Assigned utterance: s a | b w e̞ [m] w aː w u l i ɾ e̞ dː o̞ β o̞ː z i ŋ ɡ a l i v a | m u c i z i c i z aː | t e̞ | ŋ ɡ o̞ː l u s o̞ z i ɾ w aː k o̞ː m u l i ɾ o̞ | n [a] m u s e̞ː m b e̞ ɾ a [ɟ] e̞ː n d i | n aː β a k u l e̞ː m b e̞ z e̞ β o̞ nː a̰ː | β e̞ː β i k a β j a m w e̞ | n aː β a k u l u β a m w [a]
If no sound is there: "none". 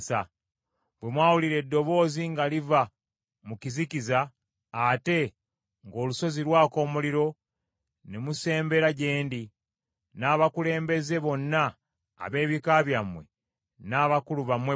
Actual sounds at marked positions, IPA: m, e, ɟ, e

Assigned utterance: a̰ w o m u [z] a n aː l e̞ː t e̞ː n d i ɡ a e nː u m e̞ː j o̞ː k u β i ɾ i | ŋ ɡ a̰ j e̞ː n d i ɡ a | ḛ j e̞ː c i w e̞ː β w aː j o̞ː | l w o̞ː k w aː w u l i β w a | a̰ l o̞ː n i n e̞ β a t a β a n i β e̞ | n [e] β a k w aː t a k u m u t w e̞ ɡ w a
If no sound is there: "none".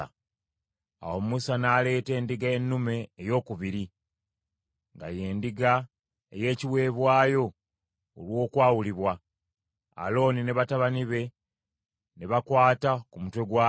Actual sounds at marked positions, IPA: s, e

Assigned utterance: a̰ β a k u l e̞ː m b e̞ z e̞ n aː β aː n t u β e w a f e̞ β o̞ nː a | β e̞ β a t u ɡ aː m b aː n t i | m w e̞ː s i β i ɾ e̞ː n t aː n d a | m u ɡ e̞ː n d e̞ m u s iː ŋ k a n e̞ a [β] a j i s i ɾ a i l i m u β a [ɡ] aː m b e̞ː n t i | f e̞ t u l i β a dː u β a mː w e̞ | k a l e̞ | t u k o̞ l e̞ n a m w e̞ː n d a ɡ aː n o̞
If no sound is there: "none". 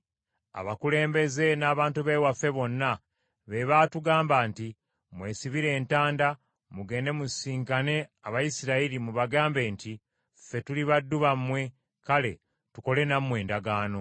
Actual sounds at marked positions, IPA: β, ɡ

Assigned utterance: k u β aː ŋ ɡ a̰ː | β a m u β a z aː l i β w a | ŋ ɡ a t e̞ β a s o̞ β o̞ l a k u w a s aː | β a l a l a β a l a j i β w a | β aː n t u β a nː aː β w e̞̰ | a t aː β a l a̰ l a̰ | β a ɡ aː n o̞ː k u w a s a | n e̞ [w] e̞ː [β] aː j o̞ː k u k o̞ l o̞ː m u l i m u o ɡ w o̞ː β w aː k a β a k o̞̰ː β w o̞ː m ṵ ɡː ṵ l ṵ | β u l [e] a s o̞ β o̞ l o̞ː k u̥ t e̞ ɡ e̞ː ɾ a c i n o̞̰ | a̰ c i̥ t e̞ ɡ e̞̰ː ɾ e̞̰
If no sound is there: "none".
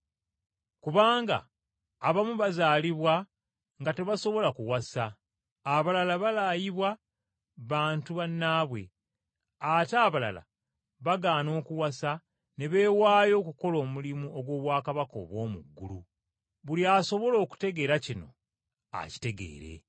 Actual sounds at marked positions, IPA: β, w, i

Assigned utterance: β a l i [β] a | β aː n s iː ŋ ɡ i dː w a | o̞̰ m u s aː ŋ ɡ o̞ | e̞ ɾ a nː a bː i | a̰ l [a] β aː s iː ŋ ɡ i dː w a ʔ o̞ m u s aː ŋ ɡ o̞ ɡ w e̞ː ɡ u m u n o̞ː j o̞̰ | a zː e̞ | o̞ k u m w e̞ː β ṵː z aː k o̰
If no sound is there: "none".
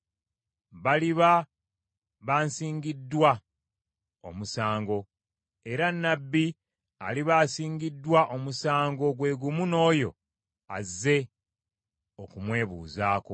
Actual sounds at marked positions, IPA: β, i

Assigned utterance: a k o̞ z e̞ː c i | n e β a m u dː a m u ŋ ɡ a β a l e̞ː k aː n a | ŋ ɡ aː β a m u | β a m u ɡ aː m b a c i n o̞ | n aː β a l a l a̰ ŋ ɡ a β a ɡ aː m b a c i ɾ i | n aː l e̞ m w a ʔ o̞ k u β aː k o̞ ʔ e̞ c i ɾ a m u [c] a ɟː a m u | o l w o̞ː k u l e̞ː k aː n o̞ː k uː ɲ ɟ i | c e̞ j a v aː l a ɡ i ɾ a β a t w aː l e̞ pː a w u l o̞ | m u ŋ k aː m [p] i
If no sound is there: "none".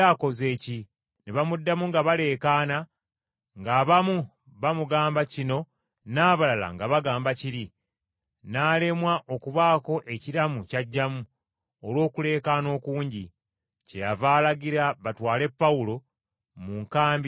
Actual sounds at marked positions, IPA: c, b

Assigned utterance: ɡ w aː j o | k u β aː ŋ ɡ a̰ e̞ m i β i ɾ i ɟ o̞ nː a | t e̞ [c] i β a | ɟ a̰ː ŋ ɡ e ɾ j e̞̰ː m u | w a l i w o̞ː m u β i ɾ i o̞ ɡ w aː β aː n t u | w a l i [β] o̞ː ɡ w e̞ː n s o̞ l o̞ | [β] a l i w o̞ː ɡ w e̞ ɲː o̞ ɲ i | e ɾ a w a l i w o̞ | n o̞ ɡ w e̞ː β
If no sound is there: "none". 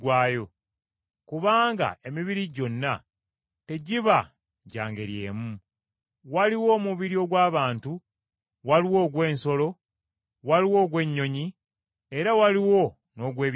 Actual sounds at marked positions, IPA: ɟ, w, w

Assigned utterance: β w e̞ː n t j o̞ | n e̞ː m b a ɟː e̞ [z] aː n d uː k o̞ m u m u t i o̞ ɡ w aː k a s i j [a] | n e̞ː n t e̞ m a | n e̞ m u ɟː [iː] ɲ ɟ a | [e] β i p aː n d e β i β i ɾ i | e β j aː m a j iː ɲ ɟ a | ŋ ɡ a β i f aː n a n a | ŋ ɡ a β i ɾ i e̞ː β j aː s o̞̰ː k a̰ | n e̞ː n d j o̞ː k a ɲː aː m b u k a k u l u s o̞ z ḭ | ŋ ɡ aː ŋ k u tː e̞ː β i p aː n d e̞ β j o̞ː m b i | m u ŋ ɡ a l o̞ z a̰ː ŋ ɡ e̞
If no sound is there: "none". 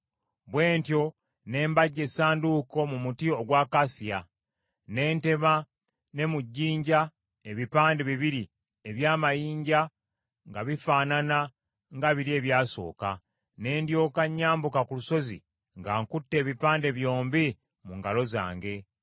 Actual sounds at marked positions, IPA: s, a, iː, e

